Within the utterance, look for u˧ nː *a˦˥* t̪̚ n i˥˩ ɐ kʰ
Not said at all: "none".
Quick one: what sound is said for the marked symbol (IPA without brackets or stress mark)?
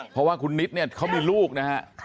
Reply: i˦˥